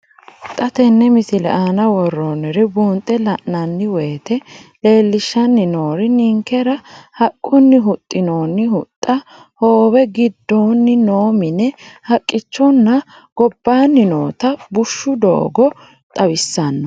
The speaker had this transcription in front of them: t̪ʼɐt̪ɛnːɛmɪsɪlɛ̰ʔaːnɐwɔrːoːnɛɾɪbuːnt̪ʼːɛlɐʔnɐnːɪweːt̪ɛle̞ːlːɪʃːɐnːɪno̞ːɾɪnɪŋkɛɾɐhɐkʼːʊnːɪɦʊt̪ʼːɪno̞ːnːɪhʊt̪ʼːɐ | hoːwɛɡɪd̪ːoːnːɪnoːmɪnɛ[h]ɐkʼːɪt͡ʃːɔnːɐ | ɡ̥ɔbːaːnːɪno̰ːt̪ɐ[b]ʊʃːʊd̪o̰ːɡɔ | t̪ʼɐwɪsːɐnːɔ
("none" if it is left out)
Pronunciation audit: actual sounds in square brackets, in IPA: h, b

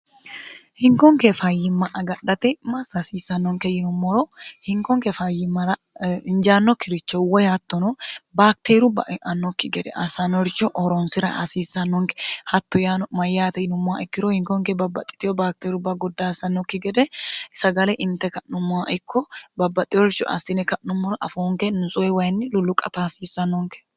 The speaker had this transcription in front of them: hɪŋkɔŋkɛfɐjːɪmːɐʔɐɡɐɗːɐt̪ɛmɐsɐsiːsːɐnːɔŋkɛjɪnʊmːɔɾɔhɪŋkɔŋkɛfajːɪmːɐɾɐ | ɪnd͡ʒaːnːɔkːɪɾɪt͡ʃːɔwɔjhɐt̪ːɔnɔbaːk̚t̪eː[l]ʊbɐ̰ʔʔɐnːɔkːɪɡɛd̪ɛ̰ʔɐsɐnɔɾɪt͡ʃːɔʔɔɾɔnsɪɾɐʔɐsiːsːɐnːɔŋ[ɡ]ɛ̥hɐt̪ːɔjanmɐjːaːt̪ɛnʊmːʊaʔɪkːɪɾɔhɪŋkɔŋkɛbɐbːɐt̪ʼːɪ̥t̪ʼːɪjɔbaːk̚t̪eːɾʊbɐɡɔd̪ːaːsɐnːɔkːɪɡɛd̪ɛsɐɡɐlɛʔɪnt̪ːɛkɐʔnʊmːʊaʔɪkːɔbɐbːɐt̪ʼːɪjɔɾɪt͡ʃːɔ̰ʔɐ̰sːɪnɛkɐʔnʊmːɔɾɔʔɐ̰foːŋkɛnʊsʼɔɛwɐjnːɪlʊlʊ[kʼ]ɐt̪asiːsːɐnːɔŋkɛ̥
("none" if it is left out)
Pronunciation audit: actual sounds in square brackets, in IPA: ɾ, k, kʼ

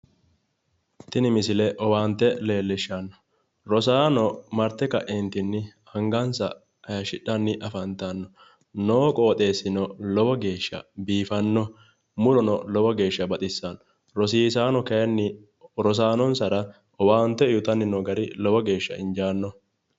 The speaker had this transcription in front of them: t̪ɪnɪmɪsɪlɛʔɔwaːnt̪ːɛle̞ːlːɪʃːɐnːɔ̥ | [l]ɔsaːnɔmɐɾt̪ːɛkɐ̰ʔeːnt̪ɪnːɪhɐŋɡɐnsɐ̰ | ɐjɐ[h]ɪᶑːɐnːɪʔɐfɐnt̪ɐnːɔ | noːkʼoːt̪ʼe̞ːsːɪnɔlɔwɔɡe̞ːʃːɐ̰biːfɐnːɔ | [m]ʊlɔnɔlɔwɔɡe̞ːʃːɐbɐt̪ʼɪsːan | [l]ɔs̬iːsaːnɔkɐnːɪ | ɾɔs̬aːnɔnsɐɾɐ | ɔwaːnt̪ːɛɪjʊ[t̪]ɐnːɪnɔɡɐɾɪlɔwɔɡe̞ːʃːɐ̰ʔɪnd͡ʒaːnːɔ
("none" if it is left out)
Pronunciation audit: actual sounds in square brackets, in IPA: ɾ, ʃ, m, ɾ, t̪

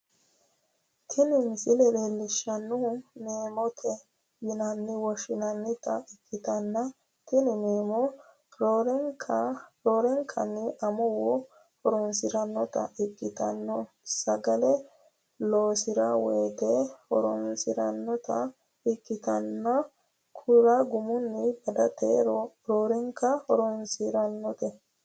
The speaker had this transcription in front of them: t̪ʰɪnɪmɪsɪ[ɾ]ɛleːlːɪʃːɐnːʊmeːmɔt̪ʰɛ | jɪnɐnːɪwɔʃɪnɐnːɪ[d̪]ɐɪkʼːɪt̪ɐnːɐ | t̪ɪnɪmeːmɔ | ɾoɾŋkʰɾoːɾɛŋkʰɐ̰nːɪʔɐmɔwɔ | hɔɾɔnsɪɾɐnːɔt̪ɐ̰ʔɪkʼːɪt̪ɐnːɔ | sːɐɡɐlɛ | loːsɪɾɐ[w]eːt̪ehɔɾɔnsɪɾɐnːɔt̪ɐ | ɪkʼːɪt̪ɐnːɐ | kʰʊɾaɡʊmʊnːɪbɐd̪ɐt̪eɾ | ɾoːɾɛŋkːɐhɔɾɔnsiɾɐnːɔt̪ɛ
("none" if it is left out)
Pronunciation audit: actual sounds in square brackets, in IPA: l, t̪, w

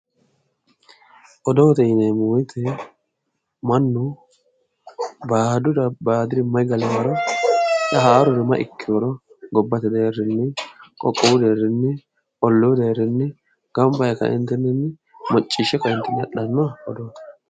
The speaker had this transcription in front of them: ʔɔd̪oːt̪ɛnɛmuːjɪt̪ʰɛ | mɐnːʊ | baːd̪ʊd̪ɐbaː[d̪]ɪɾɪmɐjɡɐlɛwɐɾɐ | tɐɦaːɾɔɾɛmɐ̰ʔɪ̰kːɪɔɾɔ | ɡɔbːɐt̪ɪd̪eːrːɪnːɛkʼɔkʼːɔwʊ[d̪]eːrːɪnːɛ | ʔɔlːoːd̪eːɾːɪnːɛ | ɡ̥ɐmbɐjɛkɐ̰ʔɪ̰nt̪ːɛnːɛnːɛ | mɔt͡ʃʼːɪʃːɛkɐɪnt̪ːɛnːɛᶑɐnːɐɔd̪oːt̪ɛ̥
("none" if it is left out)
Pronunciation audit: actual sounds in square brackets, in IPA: d̪, d̪

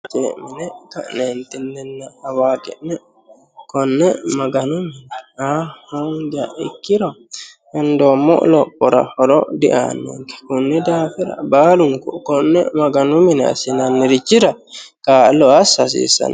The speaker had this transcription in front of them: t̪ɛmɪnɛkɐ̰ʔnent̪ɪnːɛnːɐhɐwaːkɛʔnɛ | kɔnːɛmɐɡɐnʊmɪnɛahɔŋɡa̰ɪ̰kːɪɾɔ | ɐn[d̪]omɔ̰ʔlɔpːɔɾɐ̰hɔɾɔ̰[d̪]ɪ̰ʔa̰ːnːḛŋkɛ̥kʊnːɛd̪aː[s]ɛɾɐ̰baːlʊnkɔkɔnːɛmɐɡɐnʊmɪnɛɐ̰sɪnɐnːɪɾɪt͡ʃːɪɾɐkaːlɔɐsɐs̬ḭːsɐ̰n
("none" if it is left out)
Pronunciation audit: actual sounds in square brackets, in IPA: d̪, d̪, f

